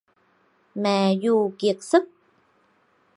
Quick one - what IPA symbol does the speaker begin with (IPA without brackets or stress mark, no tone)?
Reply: m